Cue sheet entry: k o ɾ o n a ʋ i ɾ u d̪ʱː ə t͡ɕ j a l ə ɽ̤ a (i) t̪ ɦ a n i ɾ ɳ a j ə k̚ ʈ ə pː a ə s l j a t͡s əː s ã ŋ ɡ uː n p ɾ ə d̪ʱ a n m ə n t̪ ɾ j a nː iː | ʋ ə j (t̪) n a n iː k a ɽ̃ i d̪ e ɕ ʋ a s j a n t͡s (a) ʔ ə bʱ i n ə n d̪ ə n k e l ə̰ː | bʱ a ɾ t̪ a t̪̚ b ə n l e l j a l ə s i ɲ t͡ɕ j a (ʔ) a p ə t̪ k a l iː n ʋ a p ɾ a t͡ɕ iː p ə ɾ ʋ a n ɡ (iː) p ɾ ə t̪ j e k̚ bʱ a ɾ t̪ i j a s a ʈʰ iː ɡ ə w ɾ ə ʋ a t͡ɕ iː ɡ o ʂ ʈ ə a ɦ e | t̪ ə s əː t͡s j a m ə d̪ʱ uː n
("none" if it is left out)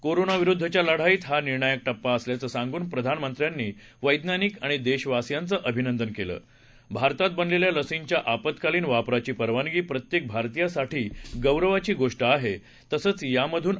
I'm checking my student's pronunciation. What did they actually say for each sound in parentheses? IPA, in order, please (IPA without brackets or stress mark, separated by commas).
iː, d̪, ə, ʔ, iː